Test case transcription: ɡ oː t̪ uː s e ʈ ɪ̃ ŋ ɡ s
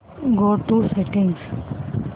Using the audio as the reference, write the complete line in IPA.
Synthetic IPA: ɡ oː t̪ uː s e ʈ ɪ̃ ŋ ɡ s